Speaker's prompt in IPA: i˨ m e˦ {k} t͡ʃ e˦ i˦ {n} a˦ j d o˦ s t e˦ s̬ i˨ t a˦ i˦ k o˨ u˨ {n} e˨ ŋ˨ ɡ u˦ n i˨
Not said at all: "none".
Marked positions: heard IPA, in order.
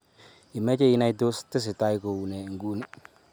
none, n, n

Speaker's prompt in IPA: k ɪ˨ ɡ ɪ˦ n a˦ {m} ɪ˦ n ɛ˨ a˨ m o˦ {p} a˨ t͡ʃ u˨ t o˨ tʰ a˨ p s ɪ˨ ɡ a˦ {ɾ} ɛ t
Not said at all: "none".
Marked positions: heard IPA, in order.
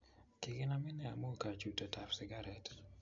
m, k, ɾ

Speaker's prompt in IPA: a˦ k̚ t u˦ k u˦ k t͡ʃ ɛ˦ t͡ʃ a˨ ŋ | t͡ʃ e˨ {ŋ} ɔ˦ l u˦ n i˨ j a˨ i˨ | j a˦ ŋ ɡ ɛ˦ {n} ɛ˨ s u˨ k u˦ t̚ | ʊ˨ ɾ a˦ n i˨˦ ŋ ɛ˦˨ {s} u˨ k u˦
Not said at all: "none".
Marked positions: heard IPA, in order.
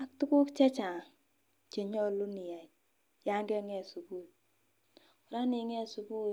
ɲ, ŋ, s

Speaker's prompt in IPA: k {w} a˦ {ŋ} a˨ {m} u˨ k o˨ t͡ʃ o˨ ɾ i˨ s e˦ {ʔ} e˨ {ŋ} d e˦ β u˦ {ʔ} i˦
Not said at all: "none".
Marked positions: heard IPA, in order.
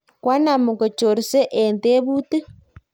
w, n, m, ʔ, n, t

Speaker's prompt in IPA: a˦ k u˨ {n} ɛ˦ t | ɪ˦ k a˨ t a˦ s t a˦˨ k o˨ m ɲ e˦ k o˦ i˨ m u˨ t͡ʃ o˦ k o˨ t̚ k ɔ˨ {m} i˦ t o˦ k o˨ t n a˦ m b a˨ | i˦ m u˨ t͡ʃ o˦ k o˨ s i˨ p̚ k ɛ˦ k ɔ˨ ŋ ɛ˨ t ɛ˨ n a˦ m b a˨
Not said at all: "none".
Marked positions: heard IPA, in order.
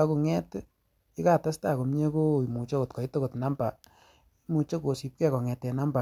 ŋ, none

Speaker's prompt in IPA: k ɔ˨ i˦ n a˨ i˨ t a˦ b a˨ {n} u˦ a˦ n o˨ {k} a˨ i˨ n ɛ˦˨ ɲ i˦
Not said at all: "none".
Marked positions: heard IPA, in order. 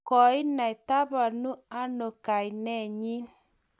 n, k

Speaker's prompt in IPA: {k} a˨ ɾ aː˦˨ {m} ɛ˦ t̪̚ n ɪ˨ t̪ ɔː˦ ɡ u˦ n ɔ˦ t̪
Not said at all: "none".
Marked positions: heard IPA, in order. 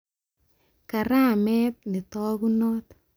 k, m

